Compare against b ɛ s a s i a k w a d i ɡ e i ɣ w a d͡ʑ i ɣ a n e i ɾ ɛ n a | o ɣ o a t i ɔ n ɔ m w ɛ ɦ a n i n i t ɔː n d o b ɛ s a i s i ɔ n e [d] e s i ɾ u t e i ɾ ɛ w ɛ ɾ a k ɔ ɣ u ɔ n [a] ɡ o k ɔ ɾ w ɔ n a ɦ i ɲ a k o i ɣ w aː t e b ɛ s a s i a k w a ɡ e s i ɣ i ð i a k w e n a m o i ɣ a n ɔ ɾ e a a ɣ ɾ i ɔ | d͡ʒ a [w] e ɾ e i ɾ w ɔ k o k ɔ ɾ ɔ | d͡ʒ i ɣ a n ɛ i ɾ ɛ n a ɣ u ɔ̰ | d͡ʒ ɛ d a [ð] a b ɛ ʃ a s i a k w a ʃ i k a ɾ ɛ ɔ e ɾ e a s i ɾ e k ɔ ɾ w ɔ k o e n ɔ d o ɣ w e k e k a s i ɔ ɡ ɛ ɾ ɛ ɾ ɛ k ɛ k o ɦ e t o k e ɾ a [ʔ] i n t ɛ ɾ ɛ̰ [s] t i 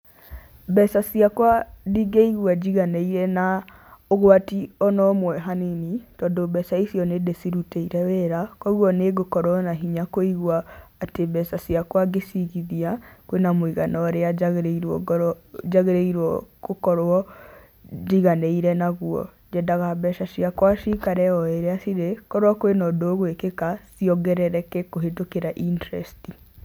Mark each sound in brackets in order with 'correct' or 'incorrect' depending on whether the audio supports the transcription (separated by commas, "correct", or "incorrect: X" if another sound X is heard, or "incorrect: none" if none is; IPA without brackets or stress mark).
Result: correct, incorrect: e, incorrect: ɣ, incorrect: ɣ, correct, correct